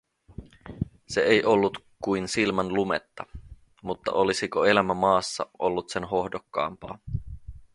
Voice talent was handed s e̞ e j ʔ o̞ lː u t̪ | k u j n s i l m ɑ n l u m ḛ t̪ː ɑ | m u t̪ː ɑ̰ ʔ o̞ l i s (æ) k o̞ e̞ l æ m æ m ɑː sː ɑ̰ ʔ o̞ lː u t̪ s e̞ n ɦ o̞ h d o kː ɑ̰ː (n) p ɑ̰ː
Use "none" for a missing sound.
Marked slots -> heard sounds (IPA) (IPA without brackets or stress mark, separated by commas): i, m